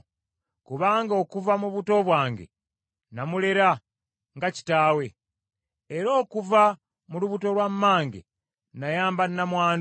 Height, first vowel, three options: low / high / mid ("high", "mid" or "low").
high